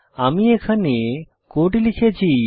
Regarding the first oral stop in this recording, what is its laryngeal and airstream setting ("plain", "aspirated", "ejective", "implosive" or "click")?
aspirated